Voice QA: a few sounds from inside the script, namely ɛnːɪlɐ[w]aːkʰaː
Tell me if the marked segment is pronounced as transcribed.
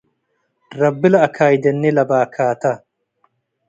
no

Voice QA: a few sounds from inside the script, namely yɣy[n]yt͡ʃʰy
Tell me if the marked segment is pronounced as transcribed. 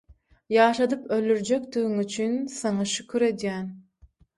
no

